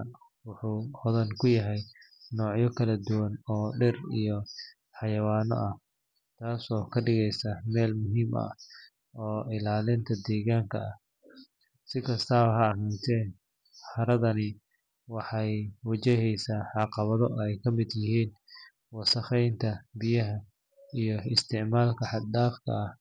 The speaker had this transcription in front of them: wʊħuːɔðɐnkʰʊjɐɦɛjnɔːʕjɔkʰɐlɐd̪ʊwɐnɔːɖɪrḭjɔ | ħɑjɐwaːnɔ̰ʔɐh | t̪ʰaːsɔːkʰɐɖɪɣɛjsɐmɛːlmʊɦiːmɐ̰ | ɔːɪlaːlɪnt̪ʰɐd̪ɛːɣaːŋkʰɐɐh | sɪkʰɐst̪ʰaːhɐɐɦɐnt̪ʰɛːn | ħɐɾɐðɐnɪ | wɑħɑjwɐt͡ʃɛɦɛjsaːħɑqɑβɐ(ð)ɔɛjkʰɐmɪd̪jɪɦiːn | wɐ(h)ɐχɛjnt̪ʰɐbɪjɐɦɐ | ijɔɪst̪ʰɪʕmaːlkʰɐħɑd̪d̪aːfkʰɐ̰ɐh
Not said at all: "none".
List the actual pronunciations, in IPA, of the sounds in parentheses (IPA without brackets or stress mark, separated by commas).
ð, s